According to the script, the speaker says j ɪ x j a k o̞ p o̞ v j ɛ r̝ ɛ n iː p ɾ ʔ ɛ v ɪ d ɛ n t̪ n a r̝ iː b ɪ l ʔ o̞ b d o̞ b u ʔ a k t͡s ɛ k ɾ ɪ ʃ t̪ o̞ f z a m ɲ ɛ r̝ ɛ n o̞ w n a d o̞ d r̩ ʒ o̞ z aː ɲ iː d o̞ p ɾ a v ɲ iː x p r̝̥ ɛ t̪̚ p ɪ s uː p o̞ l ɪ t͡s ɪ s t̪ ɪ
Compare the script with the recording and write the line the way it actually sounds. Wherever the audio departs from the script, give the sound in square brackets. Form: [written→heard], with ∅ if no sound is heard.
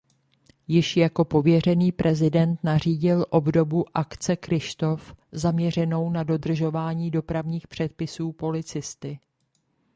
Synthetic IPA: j ɪ [x→ʃ] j a k o̞ p o̞ v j ɛ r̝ ɛ n iː p ɾ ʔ ɛ [v→z] ɪ d ɛ n t̪ n a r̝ iː [b→ɟ] ɪ l ʔ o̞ b d o̞ b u ʔ a k t͡s ɛ k ɾ ɪ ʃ t̪ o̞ f z a m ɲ ɛ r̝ ɛ n o̞ w n a d o̞ d r̩ ʒ o̞ [z→v] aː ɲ iː d o̞ p ɾ a v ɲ iː x p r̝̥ ɛ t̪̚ p ɪ s uː p o̞ l ɪ t͡s ɪ s t̪ ɪ